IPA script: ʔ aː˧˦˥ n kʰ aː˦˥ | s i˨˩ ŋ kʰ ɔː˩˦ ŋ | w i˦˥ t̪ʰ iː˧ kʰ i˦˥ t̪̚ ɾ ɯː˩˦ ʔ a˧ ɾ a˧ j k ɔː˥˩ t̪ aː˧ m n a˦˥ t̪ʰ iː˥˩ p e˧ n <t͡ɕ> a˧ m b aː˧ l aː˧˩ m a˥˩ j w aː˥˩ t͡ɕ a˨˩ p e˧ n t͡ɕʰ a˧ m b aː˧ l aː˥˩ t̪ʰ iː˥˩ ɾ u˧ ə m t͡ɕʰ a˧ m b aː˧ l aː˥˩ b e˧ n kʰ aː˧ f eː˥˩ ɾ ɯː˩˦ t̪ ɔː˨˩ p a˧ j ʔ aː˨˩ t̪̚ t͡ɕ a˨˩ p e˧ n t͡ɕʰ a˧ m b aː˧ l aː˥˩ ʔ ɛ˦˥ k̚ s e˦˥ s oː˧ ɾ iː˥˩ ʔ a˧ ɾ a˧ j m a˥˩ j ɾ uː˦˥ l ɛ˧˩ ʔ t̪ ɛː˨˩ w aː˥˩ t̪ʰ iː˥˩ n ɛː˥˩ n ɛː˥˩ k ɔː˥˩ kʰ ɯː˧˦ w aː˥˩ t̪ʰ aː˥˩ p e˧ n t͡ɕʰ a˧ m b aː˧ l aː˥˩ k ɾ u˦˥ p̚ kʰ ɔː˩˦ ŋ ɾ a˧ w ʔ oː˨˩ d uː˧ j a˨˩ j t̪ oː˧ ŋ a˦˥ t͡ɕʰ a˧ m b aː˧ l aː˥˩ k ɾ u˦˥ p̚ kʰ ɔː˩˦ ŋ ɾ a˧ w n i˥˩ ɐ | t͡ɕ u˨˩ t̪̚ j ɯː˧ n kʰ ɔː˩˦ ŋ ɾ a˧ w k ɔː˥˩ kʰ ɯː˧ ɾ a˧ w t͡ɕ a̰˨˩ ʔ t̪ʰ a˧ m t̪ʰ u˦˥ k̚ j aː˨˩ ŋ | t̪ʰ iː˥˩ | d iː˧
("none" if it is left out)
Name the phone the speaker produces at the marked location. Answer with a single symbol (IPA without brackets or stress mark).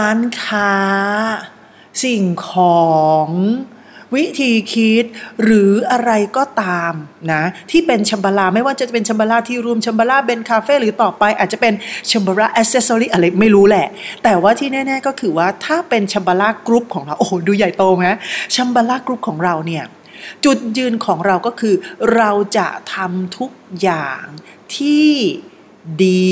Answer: t͡ɕʰ